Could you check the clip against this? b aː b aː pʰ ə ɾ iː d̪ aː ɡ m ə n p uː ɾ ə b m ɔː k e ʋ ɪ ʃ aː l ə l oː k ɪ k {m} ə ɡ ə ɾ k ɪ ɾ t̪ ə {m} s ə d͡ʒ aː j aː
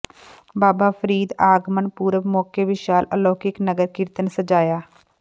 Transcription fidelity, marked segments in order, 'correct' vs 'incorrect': incorrect: n, incorrect: n

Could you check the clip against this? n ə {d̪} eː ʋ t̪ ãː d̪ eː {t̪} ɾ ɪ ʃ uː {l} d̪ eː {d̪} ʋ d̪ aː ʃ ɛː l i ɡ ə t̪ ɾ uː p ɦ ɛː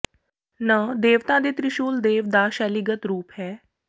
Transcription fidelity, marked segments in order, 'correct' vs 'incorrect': correct, correct, correct, incorrect: none

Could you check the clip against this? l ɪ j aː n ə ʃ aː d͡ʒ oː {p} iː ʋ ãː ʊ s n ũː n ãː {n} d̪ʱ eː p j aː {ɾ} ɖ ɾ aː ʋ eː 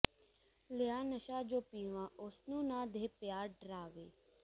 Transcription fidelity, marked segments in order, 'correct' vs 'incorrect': correct, incorrect: none, correct

